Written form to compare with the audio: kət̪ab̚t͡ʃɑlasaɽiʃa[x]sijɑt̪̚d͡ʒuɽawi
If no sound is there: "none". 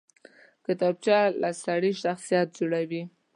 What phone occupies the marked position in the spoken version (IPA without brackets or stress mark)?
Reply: x